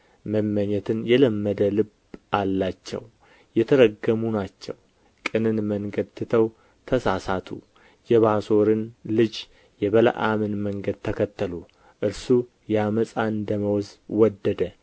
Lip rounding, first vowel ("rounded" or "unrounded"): unrounded